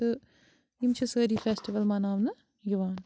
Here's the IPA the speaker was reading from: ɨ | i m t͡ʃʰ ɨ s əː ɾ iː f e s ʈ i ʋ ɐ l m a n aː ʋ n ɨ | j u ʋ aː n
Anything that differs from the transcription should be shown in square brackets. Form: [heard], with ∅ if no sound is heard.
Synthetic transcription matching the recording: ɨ | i m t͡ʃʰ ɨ s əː ɾ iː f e s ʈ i ʋ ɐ l m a n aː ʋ n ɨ | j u ʋ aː n